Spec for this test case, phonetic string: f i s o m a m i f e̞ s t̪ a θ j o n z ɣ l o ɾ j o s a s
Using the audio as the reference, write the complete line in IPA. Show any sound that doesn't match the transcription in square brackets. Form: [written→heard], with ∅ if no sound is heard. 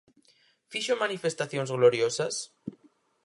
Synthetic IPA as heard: f i [s→ʃ] o m a [m→n] i f e̞ s t̪ a θ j o n z ɣ l o ɾ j o s a s